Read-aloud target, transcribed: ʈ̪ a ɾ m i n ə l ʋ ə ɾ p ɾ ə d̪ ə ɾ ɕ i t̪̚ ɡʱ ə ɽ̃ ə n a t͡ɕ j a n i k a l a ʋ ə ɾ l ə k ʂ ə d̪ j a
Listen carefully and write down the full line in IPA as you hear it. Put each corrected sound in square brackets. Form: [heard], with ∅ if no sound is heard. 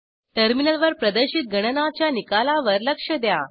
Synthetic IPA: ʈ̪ [ə] ɾ m i n ə l ʋ ə ɾ p ɾ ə d̪ ə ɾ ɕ i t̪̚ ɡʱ ə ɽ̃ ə n a t͡ɕ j a n i k a l a ʋ ə ɾ l ə k ʂ ə d̪ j a